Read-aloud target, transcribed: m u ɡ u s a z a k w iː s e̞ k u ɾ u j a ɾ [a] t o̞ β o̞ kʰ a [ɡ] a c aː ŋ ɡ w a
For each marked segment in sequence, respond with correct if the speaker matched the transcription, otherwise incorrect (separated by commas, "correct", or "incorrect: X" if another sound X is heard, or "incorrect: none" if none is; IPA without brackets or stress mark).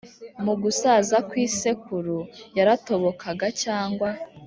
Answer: correct, correct